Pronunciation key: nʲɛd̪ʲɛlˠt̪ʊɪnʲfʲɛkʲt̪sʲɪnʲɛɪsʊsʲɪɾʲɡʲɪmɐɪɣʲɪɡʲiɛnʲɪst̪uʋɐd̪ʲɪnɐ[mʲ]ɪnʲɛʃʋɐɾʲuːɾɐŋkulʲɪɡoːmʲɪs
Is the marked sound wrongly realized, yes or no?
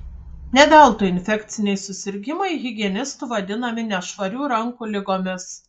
no